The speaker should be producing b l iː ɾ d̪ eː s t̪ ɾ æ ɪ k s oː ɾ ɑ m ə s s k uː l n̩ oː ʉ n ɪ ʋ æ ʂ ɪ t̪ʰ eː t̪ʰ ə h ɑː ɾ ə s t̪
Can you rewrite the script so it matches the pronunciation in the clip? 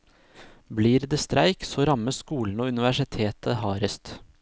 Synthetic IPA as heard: b l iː ɾ d̪ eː s t̪ ɾ æ ɪ k s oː ɾ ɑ m ə s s k uː l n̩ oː ʉ n ɪ ʋ æ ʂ ɪ t̪ʰ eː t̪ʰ ə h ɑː ɾ ə s t̪